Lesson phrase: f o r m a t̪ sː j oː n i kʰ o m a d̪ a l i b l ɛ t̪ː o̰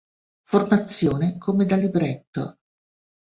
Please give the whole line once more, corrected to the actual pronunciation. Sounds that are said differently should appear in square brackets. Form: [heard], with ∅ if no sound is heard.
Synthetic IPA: f o r m a t̪ sː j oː n [e] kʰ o m [e] d̪ a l i b [ɾ] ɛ t̪ː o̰